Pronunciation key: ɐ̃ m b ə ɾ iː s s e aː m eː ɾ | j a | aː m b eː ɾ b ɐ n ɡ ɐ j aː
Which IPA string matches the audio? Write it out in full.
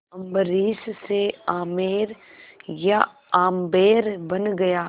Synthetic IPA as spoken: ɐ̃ m b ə ɾ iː s s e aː m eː ɾ | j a | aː m b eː ɾ b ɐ n ɡ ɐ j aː